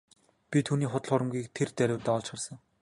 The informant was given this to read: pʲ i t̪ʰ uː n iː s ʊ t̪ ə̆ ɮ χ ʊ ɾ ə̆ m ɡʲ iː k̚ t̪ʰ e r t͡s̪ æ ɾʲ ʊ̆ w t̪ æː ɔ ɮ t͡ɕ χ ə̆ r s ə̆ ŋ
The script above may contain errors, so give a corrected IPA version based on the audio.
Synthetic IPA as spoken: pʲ i t̪ʰ uː n iː χ ʊ t̪ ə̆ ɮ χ ʊ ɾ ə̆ m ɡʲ iː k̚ t̪ʰ e r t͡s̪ æ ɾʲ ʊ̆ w t̪ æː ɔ ɮ t͡ɕ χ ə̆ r s ə̆ ŋ